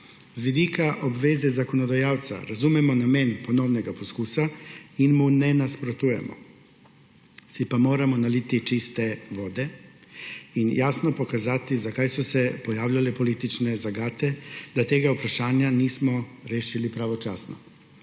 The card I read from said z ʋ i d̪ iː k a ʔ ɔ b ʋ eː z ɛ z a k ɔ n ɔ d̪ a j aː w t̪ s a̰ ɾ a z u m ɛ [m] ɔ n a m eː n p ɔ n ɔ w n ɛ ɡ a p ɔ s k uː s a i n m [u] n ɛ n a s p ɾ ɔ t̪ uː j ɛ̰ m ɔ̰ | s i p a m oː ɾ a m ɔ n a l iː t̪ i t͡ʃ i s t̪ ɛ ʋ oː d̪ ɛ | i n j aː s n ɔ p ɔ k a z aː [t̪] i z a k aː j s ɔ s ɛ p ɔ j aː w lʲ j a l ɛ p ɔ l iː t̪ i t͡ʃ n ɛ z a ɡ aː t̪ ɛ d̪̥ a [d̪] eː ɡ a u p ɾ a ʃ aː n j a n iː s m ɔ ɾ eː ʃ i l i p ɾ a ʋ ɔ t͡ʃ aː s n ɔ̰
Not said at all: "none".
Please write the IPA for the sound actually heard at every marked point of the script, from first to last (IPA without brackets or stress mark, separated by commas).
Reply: m, u, t̪, t̪